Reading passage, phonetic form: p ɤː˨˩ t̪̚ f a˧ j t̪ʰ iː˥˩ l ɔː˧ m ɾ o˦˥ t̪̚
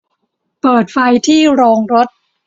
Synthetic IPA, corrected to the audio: p ɤː˨˩ t̪̚ f a˧ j t̪ʰ iː˥˩ ɾ ɔː˧ ŋ ɾ o˦˥ t̪̚